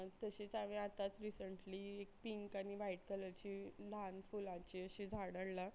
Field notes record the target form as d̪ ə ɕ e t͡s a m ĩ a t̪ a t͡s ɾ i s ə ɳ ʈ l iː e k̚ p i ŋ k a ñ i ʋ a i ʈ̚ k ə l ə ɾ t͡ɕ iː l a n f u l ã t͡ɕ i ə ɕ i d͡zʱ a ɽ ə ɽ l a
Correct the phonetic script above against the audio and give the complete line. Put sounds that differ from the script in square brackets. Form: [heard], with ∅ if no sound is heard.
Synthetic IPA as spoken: [t̪] ə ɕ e t͡s a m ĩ a t̪ a t͡s ɾ i s ə ɳ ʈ l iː e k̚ p i ŋ k a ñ i ʋ a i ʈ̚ k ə l ə ɾ t͡ɕ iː l a n f u l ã t͡ɕ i ə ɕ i d͡zʱ a ɽ ə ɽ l a